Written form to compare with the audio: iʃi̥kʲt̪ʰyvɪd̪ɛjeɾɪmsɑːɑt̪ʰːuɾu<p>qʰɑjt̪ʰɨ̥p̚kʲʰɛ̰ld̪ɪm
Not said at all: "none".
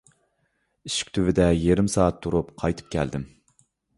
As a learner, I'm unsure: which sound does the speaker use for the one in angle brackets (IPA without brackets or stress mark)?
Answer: p